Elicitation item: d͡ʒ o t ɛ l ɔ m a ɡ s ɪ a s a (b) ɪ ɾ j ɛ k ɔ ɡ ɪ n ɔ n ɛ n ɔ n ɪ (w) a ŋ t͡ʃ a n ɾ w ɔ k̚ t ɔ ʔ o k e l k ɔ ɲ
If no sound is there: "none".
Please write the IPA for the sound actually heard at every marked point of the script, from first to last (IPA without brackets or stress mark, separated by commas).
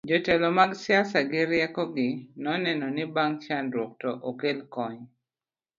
ɡ, b